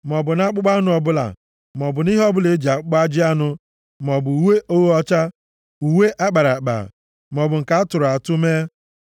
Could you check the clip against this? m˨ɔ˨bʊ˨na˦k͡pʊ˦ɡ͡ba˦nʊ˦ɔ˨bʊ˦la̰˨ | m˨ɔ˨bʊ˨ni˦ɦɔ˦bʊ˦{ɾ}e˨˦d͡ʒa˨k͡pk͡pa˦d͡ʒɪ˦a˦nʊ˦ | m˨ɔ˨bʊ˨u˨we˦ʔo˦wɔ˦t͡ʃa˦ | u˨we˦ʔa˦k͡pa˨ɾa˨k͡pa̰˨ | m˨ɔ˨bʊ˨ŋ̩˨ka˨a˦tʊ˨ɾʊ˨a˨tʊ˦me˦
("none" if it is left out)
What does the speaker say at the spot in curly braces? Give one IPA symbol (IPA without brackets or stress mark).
l